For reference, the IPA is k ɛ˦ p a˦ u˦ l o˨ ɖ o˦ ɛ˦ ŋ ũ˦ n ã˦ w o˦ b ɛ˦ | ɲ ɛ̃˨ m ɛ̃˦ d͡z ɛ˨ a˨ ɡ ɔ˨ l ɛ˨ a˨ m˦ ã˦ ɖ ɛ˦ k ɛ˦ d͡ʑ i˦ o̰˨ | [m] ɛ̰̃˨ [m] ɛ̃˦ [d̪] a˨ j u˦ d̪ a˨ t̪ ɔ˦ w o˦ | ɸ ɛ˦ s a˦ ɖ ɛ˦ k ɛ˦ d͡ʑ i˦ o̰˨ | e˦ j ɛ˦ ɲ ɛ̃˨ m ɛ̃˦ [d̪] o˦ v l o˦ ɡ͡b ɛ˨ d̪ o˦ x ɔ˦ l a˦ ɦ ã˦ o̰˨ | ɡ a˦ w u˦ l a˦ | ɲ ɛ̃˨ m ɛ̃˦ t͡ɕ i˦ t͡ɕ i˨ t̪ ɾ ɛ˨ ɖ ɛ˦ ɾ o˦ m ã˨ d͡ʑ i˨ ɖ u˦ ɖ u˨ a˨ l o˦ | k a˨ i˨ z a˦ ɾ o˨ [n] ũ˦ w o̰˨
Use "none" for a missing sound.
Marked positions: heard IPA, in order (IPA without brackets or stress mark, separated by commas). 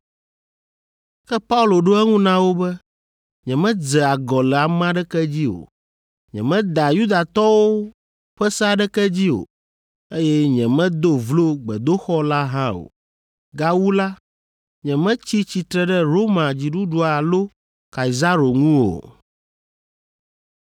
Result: ɲ, m, d̪, d̪, ŋ